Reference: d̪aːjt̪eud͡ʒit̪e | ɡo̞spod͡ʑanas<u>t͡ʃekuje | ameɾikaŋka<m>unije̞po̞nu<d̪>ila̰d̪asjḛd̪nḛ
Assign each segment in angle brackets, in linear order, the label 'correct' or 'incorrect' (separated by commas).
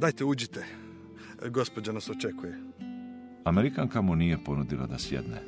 incorrect, correct, correct